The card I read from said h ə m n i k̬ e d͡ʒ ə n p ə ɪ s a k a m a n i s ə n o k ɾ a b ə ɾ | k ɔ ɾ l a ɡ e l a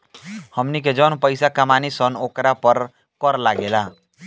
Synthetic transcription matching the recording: h ə m n i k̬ e d͡ʒ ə n p ə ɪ s a k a m a n i s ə n o k ɾ a p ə ɾ | k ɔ ɾ l a ɡ e l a